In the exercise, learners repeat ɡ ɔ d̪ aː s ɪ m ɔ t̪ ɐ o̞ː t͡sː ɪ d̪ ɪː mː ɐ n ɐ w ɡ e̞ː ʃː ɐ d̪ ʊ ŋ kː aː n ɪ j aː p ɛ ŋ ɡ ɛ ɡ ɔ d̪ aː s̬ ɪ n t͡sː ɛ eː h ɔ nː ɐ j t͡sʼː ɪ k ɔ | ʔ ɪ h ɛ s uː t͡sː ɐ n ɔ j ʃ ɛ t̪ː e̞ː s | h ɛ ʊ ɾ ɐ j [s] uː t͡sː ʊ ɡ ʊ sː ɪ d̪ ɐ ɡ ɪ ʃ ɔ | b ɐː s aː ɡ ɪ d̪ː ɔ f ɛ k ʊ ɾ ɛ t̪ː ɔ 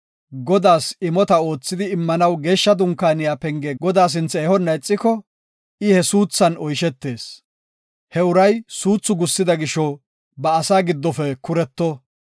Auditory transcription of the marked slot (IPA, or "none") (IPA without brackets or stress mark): s